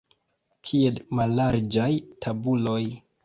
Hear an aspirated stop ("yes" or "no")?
yes